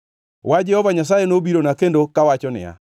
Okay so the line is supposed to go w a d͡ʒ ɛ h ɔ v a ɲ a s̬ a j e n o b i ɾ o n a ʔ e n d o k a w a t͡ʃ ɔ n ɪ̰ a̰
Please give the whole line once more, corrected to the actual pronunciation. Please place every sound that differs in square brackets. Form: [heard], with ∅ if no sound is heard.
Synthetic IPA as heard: w a d͡ʒ ɛ h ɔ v a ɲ a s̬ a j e n o b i ɾ o n a [k] e n d o k a w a t͡ʃ ɔ n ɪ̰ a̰